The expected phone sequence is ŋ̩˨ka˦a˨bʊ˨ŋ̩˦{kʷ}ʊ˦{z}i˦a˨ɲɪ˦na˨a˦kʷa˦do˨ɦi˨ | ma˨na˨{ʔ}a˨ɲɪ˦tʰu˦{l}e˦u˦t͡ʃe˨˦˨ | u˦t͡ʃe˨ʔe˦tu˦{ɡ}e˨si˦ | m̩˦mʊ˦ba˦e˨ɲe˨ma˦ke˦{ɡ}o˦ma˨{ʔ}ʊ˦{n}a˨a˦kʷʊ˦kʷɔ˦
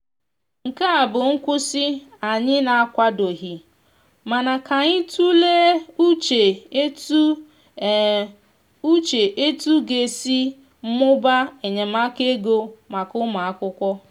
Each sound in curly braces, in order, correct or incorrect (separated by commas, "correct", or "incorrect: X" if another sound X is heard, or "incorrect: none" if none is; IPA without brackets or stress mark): correct, incorrect: s, incorrect: k, correct, correct, correct, incorrect: k, incorrect: m